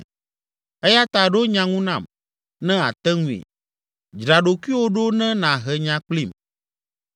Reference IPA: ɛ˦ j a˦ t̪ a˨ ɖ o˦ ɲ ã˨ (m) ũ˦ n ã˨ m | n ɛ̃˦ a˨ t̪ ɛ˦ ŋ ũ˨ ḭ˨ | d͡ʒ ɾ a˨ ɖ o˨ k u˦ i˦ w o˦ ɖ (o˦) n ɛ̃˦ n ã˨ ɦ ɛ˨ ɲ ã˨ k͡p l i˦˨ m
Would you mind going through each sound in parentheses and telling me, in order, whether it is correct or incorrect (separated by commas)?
incorrect, correct